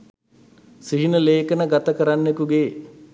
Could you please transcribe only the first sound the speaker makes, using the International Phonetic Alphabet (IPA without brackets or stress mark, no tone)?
s